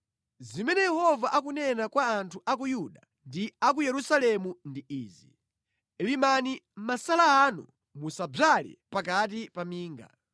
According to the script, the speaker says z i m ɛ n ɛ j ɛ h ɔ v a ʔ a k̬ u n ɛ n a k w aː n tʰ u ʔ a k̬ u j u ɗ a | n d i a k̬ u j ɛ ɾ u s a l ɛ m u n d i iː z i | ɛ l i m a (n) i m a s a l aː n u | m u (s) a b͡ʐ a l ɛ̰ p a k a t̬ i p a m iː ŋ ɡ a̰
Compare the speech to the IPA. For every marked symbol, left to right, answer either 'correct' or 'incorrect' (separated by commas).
correct, correct